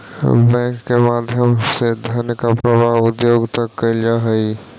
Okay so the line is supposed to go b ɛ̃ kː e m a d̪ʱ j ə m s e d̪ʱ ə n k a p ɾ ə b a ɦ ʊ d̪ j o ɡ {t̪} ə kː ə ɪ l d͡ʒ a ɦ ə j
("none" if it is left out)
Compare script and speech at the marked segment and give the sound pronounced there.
t̪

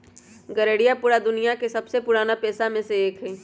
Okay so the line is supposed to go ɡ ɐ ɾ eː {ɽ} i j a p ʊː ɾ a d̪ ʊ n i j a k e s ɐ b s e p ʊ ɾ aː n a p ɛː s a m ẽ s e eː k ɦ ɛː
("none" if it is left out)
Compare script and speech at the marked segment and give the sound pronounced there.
ɽ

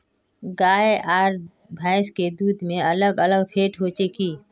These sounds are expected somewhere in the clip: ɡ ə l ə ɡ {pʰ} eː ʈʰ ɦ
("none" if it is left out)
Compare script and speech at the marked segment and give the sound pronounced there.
pʰ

